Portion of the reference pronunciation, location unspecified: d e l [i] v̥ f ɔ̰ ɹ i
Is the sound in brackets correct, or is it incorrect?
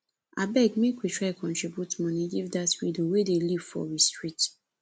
correct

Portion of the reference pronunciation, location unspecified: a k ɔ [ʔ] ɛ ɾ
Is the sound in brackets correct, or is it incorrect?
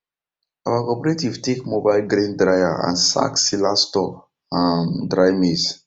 incorrect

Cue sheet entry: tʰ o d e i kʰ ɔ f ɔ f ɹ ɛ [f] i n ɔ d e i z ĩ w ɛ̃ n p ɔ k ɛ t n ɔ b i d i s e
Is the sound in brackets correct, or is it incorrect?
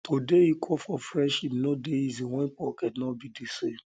incorrect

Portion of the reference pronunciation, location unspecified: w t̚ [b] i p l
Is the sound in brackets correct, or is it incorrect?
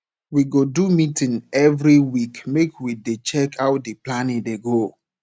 incorrect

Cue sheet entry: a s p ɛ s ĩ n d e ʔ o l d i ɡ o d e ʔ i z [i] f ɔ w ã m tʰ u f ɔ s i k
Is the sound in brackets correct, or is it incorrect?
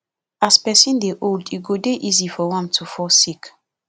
correct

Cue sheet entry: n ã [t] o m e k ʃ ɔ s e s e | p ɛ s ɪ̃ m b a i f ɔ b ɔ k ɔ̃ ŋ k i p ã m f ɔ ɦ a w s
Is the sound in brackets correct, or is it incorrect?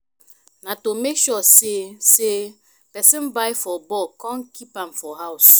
correct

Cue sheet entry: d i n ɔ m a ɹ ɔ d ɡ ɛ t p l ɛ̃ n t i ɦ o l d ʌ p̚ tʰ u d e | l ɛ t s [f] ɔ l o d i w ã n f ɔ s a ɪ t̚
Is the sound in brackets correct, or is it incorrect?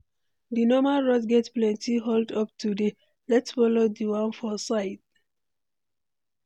correct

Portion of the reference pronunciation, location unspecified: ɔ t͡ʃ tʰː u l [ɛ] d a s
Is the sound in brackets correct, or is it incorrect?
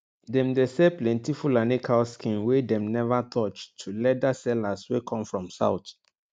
correct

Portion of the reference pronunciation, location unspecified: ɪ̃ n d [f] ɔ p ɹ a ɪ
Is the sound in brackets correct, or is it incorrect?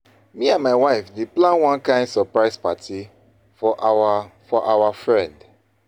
incorrect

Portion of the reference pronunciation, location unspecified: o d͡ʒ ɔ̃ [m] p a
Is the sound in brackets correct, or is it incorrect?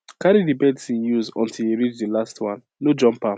correct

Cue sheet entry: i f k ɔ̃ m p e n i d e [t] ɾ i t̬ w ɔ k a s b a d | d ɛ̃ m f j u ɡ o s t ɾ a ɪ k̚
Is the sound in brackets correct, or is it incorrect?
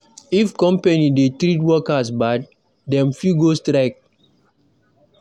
correct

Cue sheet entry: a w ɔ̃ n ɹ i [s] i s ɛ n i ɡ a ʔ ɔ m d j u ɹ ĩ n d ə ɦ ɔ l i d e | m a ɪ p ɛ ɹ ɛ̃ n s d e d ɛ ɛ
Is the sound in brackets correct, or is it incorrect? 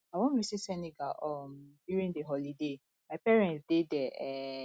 correct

